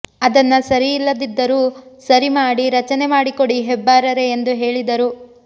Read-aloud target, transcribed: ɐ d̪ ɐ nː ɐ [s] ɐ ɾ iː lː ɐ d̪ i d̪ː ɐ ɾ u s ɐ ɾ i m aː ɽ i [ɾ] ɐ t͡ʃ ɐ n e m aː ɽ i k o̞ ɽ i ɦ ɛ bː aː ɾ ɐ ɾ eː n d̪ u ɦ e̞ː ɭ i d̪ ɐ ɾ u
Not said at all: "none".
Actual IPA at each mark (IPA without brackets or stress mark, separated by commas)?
s, ɾ